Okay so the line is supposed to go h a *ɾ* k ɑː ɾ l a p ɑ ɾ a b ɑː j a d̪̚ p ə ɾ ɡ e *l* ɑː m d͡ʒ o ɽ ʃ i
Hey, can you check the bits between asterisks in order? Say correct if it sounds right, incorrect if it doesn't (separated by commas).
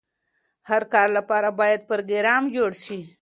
correct, incorrect